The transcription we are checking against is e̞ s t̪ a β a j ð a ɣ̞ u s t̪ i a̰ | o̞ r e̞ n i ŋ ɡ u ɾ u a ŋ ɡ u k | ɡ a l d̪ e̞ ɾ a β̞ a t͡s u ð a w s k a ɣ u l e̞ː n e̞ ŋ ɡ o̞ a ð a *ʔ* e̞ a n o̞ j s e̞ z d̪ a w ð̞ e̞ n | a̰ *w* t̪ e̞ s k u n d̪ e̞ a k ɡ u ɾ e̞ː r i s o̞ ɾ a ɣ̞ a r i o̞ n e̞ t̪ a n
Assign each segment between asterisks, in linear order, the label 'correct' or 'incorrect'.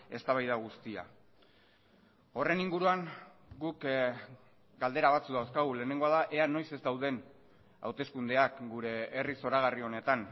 correct, correct

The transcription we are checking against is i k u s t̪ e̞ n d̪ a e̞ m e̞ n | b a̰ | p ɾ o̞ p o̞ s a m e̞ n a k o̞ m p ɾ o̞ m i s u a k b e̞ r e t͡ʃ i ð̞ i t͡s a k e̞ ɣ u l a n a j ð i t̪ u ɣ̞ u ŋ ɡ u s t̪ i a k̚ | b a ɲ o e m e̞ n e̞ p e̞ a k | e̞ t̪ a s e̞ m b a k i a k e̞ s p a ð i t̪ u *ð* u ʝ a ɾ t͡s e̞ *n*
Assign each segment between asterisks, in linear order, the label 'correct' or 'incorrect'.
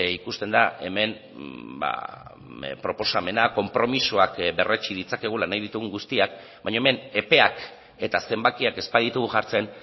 incorrect: ɣ, correct

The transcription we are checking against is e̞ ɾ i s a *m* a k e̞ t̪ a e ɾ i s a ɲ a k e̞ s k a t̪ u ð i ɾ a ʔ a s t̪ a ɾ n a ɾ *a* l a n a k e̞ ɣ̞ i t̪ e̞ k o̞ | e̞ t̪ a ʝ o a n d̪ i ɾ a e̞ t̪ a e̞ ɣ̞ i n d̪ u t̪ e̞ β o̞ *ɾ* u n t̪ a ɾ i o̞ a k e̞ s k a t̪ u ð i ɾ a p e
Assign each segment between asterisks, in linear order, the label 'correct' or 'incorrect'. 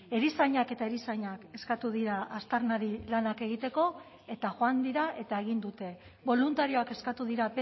incorrect: ɲ, incorrect: i, incorrect: l

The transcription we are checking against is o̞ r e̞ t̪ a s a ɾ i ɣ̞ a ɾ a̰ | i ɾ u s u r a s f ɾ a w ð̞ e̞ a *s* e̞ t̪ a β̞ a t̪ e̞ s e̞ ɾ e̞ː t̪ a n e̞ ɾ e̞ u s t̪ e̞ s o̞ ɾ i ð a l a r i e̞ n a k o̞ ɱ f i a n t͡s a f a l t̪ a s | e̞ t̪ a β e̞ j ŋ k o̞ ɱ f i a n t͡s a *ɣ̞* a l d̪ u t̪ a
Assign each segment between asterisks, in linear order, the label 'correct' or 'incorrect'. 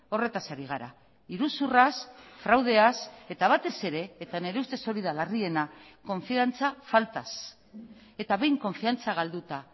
correct, correct

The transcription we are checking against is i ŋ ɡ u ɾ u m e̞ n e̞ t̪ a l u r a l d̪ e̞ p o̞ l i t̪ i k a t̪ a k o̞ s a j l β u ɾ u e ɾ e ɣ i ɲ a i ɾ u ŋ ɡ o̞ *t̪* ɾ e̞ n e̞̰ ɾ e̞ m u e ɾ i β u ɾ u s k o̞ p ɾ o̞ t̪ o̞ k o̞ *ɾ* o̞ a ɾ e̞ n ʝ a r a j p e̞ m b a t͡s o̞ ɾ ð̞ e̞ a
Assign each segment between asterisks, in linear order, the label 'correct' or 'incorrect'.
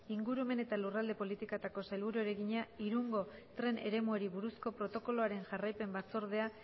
correct, incorrect: l

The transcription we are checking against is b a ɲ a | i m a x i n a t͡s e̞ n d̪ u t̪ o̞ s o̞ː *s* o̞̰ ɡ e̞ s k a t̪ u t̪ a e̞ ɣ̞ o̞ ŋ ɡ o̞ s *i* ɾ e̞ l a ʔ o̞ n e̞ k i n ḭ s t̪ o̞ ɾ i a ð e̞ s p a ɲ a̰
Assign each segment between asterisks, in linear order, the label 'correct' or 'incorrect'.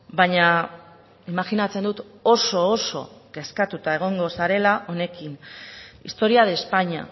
correct, incorrect: a

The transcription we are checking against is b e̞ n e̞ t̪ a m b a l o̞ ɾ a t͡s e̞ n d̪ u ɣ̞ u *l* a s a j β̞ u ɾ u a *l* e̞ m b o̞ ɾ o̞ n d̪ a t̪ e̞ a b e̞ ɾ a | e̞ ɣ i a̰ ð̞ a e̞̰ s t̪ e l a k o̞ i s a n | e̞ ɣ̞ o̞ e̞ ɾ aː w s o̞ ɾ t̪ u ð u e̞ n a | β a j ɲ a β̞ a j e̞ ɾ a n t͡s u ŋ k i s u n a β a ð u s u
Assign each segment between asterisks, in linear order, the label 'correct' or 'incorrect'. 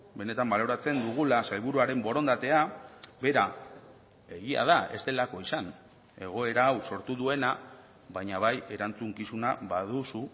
correct, incorrect: ɾ

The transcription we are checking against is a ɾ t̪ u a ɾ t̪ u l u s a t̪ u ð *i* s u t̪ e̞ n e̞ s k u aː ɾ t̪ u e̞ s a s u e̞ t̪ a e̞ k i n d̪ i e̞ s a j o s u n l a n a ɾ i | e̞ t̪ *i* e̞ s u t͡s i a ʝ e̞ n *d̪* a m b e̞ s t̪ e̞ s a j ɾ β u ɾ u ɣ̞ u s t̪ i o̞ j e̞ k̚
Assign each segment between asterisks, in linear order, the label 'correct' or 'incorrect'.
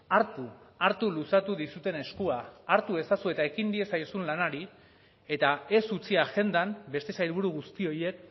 correct, incorrect: a, correct

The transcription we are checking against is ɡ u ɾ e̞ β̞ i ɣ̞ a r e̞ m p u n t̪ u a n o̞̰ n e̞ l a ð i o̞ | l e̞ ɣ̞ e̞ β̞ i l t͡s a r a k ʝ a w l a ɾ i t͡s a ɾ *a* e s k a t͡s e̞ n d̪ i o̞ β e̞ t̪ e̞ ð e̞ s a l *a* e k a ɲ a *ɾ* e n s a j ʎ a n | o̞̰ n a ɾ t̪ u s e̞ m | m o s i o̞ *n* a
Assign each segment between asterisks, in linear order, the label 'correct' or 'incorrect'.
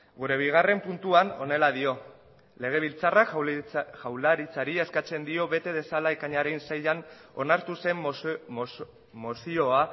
incorrect: i, correct, correct, incorrect: none

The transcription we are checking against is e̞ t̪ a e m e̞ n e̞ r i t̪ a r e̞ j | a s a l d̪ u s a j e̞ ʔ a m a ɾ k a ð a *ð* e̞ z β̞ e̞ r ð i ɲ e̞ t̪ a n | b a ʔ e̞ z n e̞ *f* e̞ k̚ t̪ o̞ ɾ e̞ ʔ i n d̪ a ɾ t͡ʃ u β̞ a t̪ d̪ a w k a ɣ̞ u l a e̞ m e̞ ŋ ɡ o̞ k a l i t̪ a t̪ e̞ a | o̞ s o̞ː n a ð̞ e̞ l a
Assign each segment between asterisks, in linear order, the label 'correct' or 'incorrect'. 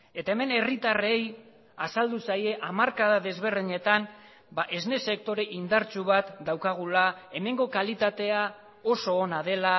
correct, incorrect: s

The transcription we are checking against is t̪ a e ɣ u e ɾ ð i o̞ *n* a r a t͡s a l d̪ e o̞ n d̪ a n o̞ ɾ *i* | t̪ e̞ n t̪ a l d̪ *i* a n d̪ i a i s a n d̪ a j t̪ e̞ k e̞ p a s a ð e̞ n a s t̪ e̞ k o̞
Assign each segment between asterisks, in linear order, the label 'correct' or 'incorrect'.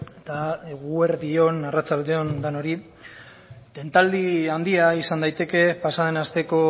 correct, correct, correct

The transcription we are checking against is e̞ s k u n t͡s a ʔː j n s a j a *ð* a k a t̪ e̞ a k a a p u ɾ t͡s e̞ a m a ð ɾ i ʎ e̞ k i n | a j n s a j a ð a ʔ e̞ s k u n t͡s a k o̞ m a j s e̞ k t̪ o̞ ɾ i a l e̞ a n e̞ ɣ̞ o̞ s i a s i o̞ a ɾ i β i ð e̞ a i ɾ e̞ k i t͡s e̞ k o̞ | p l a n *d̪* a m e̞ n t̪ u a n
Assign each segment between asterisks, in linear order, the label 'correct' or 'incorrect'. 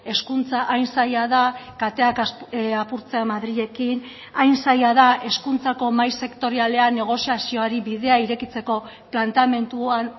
correct, incorrect: t̪

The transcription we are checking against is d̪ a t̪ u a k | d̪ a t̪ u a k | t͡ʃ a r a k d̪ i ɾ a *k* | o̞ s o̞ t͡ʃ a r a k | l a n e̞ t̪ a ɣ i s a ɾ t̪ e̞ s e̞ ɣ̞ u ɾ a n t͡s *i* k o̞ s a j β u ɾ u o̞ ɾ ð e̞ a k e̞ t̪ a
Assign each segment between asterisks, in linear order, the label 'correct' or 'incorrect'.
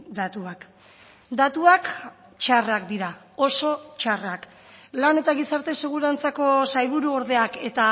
incorrect: none, incorrect: a

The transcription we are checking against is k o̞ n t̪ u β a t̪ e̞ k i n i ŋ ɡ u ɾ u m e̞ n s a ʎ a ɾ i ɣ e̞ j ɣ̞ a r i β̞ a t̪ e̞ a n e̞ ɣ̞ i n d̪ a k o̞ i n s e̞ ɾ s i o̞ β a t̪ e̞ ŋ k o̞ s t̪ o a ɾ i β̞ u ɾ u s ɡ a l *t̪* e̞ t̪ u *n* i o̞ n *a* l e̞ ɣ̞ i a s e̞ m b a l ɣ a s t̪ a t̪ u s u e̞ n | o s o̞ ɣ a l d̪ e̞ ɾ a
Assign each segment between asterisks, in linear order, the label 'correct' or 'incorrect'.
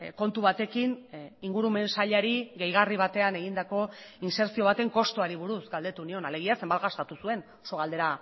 incorrect: d̪, correct, correct

